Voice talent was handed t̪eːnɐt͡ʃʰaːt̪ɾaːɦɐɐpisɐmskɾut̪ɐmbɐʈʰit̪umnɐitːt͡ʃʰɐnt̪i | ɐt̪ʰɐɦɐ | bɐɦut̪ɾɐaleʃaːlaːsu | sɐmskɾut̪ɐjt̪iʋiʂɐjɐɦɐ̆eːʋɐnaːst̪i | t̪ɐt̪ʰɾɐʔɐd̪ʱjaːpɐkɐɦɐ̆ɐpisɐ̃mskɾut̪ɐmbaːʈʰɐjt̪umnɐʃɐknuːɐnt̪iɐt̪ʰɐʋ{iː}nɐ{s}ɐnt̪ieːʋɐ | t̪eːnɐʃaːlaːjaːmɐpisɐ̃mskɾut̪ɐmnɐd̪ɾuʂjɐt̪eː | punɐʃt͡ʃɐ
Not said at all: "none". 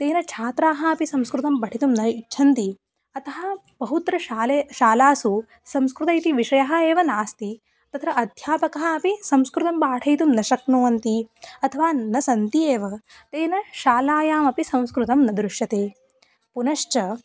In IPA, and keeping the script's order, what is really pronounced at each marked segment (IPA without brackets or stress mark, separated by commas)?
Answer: aː, s